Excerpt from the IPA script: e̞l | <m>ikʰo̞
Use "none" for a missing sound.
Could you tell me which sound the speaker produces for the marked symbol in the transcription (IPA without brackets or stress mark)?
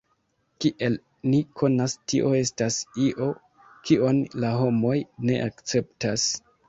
n